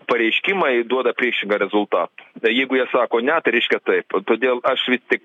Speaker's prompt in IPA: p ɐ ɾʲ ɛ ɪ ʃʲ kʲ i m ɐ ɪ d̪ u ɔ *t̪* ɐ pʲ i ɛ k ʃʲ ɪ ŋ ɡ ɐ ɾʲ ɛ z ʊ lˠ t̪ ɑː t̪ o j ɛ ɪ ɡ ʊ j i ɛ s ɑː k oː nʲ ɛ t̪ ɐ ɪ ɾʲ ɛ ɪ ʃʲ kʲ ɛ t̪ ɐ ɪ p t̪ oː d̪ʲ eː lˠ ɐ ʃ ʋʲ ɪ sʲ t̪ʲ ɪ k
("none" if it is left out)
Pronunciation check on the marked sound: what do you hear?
d̪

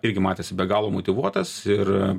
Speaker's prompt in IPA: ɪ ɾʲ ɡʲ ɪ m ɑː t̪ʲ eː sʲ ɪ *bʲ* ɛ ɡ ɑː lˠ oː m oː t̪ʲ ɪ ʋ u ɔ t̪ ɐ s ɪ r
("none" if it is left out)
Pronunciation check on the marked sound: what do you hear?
bʲ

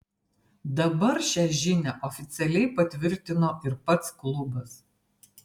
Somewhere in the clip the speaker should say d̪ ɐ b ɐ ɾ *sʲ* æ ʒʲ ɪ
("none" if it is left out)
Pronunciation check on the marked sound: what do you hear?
ʃʲ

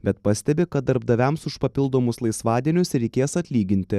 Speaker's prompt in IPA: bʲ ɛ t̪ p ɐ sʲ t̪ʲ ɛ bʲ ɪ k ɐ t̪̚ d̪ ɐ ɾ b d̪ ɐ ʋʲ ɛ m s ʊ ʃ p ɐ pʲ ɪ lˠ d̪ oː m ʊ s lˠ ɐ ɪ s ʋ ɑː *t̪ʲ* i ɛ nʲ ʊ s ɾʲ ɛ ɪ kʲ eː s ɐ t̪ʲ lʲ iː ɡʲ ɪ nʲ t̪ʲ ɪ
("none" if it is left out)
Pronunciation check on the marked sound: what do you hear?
d̪ʲ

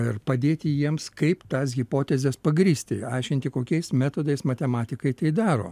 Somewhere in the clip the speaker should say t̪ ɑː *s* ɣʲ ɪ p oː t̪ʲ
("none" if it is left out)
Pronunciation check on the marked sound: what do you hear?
s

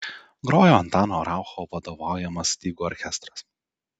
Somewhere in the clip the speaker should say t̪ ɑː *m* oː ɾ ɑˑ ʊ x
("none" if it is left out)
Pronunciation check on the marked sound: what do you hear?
n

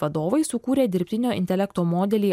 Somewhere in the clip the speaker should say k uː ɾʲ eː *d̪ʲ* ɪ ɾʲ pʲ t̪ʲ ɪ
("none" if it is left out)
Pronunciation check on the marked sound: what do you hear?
d̪ʲ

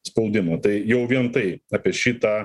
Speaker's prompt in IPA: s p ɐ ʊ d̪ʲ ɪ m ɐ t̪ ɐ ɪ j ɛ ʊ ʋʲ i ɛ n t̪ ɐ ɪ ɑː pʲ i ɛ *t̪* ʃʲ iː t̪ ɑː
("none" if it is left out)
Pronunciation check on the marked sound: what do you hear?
none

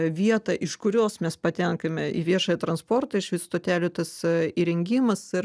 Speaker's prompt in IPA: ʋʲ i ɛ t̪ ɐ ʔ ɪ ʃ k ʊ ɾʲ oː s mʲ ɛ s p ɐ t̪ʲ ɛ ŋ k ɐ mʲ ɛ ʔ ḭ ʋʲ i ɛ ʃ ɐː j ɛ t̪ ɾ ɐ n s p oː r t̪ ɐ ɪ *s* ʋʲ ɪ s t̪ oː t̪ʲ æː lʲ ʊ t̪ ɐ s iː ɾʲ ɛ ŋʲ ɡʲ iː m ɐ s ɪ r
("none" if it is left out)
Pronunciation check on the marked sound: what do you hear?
ʃ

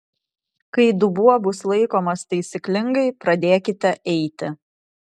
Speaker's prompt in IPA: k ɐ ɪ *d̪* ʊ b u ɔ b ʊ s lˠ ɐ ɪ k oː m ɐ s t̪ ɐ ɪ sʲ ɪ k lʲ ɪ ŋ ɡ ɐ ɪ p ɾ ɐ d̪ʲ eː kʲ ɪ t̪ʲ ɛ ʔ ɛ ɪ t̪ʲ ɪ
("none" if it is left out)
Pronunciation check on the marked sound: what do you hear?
d̪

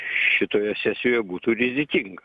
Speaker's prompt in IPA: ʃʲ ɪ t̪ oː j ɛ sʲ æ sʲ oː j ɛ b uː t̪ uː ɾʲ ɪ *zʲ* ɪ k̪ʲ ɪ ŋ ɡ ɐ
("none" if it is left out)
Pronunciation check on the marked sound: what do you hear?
zʲ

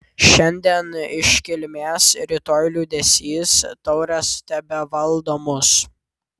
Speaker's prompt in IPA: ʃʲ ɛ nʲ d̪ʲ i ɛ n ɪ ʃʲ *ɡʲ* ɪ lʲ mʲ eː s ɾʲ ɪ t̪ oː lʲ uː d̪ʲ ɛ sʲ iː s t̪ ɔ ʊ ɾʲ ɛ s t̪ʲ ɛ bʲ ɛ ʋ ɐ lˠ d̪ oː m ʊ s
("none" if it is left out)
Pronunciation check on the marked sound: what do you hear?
kʲ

